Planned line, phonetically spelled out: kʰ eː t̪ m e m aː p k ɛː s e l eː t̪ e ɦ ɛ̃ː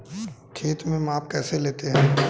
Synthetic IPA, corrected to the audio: kʰ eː t̪ m ẽ m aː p k ɛː s e l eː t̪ e ɦ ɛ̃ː